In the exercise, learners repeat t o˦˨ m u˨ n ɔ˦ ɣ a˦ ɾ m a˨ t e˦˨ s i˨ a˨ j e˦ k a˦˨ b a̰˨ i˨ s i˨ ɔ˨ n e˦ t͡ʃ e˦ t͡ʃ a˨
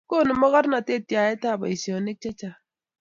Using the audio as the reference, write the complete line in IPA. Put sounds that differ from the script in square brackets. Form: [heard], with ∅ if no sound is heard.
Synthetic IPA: [k] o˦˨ [n] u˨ [m] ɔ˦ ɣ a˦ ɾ [n] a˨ t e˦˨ [t] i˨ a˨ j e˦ [t] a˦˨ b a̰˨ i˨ s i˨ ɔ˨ n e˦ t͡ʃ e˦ t͡ʃ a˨